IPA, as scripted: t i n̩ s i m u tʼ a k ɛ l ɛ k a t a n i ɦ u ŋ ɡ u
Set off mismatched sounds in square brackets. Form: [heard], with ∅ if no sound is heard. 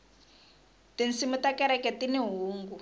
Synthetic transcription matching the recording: t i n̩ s i m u [t] a k ɛ [ɾ] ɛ k [ɛ] t [i] n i ɦ [uː] ŋ ɡ u